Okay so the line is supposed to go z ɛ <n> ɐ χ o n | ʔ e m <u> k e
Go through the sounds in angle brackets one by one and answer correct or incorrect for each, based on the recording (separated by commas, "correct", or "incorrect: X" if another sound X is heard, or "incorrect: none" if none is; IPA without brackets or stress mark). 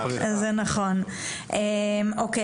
correct, incorrect: o